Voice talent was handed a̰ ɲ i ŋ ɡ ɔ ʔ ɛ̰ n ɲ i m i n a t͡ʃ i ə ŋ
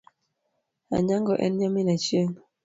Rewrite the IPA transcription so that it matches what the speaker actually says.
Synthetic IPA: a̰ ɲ a ŋ ɡ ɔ ʔ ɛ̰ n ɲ a m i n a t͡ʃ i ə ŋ